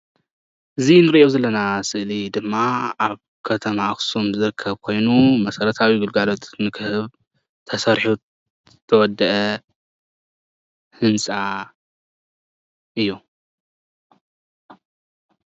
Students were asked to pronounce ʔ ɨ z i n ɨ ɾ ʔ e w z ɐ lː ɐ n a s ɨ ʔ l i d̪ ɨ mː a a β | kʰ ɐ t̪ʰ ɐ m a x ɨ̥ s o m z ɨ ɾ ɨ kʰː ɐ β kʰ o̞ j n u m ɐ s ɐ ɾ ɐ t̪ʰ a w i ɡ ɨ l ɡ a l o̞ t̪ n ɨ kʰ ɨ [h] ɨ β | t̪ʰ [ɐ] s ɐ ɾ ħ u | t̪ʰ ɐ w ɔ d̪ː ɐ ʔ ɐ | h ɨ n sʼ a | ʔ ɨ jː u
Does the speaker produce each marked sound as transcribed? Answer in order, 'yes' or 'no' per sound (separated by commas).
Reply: yes, yes